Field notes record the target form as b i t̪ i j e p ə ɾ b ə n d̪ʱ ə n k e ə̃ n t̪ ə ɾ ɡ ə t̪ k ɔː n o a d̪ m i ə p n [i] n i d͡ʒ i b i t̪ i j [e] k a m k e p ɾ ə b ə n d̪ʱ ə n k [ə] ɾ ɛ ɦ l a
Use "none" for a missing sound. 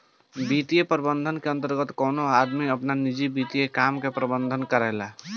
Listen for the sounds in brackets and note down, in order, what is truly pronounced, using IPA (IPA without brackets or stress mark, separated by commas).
a, e, ə